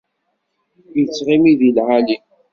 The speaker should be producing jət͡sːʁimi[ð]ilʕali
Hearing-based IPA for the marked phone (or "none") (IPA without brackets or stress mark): ð